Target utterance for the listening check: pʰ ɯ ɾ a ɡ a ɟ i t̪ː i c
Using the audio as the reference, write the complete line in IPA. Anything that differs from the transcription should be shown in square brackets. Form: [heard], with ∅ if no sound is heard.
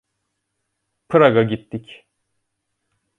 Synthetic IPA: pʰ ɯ ɾ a ɡ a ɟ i t̪ː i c